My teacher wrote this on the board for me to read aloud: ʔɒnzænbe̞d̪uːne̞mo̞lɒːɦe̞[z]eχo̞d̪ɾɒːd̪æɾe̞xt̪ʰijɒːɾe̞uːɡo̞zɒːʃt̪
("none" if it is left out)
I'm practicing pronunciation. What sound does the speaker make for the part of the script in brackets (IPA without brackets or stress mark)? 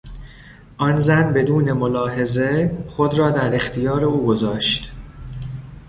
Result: z